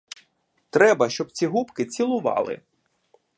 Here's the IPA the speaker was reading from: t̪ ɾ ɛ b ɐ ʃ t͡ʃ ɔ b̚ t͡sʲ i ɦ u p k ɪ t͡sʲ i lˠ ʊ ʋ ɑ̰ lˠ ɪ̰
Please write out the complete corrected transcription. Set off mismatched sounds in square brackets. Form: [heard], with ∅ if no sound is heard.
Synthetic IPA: t̪ ɾ ɛ b ɐ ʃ t͡ʃ ɔ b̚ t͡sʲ i ɦ u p k ɪ t͡sʲ i lˠ ʊ ʋ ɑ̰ lˠ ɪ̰